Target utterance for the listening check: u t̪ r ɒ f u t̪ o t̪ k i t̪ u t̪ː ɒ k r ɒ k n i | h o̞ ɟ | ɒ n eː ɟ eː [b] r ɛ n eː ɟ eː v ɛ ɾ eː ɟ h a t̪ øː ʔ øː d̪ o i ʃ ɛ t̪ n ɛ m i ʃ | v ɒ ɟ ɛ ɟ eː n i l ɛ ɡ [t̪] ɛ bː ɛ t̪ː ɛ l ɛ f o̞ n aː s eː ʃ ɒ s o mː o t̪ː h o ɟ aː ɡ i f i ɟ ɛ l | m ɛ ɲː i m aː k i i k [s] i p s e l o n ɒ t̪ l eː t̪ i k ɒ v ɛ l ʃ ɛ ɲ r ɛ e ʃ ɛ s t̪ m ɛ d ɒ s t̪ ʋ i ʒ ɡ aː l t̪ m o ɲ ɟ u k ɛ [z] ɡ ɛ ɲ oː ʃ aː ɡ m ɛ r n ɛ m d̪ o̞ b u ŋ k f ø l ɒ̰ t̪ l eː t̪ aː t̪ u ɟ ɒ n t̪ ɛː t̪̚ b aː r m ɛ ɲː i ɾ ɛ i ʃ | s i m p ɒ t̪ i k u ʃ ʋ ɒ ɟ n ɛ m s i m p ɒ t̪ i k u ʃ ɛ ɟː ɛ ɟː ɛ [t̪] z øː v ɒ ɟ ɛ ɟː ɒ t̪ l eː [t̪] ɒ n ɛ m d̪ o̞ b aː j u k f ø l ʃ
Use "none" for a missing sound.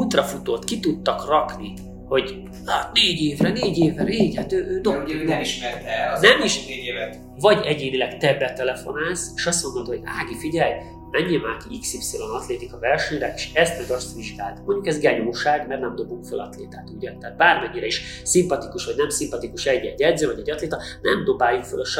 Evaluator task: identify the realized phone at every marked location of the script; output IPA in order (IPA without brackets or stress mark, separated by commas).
v, t̪, s, z, d̪, t̪